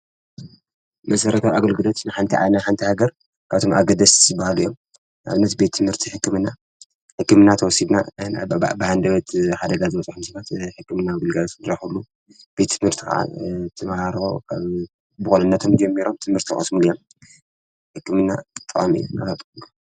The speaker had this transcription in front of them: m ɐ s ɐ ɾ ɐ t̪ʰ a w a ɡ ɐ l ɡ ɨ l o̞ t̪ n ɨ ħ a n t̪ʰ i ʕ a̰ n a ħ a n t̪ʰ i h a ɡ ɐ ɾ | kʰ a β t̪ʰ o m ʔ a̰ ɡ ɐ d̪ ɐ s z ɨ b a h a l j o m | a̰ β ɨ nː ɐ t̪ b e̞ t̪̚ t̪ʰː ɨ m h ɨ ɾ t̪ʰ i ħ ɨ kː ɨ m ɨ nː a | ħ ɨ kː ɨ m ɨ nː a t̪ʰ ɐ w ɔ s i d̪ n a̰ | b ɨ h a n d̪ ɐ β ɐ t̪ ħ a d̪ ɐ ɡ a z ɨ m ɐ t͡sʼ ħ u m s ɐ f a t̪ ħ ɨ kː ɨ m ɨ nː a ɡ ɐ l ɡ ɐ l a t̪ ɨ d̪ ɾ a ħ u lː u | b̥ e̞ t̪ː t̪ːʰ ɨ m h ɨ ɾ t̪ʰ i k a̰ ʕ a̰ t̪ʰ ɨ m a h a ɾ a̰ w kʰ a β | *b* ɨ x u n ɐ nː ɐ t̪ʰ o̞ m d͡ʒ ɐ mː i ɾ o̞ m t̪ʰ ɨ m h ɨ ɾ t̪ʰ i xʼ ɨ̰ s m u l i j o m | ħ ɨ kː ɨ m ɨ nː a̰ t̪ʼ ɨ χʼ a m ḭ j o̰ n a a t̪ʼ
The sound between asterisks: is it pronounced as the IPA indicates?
yes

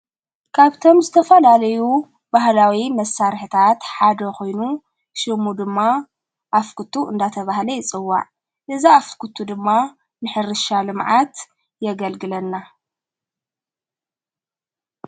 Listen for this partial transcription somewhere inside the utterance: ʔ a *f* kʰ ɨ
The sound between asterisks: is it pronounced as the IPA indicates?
yes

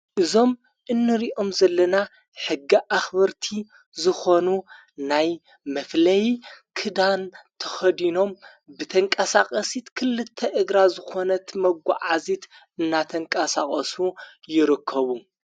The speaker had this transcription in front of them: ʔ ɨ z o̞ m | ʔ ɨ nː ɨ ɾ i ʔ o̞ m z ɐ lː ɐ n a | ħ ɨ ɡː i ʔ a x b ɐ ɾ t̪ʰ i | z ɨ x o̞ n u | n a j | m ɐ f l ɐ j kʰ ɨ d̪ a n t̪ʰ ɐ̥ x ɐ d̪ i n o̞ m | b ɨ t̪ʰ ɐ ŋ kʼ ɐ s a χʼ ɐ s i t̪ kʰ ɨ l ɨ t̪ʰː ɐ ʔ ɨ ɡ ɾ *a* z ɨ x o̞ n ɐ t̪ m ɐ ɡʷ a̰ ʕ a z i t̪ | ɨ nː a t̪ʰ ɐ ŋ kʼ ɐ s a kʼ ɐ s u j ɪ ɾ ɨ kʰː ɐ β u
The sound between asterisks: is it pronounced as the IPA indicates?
yes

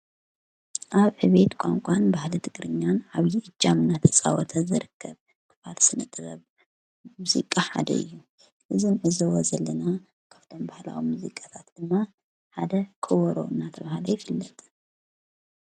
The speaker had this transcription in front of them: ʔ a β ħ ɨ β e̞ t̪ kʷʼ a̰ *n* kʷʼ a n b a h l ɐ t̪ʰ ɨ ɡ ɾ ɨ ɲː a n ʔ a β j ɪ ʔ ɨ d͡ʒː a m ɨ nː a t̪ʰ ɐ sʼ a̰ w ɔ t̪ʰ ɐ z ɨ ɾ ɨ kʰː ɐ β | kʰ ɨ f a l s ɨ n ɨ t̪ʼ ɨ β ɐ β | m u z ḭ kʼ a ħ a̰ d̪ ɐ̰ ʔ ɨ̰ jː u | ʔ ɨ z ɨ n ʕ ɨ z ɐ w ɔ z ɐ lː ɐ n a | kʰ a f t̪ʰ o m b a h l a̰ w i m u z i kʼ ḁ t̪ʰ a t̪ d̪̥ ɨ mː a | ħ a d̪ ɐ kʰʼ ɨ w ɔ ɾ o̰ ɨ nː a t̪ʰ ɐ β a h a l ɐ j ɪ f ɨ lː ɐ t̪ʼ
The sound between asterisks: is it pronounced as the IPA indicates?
no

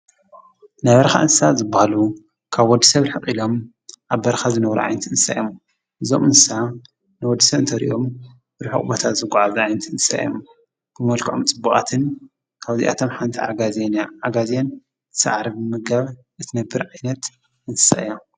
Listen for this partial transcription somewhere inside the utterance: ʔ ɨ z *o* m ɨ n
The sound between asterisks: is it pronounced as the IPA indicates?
yes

